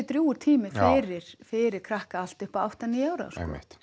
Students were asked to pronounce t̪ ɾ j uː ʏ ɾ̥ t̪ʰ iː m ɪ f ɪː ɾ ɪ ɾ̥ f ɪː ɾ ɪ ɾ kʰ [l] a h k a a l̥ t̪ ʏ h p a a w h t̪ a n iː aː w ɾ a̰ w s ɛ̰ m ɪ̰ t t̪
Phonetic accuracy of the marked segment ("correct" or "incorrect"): incorrect